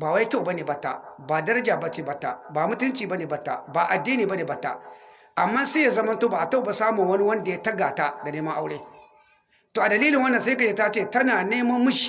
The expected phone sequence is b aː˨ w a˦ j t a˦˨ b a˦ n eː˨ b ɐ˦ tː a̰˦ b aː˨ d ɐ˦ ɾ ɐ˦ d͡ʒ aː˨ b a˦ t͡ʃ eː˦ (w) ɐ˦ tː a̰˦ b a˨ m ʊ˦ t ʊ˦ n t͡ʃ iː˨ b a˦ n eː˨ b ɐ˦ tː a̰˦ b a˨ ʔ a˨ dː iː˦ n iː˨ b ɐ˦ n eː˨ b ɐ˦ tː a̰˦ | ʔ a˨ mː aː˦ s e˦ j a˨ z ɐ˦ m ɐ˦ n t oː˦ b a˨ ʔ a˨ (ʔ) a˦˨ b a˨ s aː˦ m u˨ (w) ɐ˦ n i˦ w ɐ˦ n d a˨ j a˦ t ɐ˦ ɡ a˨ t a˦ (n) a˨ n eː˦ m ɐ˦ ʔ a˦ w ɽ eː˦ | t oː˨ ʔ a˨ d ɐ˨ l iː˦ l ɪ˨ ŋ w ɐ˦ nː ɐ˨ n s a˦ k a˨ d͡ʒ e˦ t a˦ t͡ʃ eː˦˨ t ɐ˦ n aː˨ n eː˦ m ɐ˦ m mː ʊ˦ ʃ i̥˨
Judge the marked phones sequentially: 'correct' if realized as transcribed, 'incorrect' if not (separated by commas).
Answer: incorrect, incorrect, correct, incorrect